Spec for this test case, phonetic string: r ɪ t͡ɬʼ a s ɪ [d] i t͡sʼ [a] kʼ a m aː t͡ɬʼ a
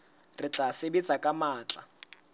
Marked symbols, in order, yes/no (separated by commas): no, yes